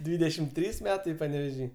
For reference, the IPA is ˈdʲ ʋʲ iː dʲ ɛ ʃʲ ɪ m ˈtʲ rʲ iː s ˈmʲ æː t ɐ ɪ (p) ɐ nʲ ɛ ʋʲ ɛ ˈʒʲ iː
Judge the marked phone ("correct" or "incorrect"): correct